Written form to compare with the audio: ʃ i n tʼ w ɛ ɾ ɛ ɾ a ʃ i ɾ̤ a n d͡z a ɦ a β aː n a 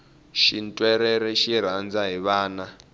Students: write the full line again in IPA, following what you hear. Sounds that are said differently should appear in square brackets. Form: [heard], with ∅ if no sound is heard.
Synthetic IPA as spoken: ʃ i n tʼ w ɛ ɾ ɛ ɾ [ɛ] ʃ i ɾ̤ a n d͡z a ɦ [i] β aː n a